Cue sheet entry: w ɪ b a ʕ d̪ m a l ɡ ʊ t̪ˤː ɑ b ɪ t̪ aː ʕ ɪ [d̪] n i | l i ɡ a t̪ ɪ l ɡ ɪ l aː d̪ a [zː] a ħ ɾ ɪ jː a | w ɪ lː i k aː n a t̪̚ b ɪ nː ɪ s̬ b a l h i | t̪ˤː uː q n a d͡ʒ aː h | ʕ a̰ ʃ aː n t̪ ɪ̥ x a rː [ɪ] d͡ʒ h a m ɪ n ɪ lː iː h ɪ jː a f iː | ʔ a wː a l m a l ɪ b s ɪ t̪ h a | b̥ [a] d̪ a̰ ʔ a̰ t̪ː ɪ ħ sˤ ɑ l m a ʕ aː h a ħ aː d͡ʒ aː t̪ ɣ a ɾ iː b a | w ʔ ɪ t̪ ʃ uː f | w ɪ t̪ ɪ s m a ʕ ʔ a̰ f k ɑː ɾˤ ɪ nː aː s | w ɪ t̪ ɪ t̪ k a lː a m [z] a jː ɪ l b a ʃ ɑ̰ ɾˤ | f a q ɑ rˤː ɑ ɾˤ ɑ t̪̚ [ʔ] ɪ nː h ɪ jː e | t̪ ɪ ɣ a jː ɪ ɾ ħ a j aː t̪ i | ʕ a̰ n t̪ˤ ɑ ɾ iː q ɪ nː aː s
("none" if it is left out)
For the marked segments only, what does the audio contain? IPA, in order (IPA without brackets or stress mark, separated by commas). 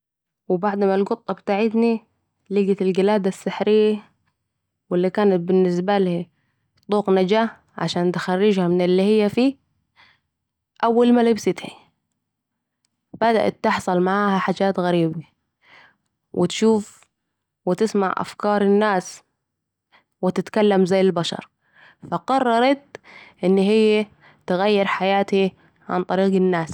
t̪, sː, ɪ, a, z, ʔ